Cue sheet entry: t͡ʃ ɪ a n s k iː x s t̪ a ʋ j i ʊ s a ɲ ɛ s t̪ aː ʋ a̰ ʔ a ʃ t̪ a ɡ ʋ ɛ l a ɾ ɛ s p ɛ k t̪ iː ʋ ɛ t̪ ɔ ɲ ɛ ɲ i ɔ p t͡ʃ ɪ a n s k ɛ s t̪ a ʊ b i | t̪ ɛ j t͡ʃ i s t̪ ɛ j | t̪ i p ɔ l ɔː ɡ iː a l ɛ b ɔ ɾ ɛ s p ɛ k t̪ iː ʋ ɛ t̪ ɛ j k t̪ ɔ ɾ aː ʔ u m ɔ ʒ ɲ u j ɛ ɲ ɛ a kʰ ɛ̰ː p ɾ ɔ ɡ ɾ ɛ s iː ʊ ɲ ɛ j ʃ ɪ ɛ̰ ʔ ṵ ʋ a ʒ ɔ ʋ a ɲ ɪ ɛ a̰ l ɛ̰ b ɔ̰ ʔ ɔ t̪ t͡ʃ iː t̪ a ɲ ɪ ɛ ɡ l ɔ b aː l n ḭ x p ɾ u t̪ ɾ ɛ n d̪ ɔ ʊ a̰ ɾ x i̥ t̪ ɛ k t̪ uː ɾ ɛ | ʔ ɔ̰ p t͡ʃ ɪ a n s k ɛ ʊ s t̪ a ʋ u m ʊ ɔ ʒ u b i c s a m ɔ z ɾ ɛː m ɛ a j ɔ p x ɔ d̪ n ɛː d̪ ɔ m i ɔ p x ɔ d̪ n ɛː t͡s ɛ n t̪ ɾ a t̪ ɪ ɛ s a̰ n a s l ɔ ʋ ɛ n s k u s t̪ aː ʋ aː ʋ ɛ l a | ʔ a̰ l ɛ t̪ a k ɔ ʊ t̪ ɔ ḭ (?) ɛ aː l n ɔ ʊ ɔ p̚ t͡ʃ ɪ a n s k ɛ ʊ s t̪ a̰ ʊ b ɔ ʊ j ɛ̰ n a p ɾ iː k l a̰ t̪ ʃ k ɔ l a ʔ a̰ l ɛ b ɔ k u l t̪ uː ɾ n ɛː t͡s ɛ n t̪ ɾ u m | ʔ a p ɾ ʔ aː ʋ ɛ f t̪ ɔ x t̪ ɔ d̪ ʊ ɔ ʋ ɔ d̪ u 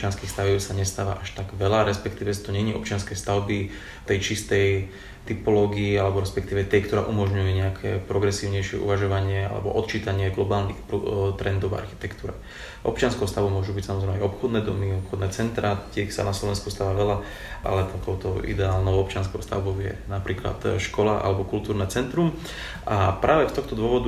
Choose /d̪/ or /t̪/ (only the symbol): d̪